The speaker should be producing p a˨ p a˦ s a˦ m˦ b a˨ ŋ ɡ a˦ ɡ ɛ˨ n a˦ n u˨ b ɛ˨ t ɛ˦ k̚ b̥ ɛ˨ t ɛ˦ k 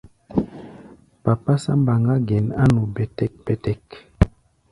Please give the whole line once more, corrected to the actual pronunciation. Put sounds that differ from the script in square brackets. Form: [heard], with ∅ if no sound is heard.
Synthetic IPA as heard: p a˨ p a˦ s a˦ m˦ b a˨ ŋ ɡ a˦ ɡ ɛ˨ n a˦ n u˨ b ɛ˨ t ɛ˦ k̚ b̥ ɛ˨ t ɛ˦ k